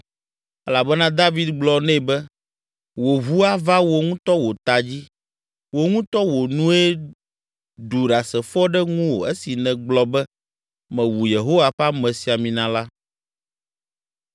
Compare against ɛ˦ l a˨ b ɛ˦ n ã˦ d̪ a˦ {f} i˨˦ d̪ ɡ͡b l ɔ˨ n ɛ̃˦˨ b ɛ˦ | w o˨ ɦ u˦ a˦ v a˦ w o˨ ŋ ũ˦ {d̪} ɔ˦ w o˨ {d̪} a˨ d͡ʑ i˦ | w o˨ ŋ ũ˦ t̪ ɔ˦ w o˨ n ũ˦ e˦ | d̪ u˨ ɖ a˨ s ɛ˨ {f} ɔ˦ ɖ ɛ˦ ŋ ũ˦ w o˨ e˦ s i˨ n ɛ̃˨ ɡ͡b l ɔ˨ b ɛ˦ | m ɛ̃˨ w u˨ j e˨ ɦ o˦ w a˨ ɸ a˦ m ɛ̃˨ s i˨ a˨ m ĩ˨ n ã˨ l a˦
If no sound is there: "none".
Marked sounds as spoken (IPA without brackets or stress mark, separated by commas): v, t̪, t̪, f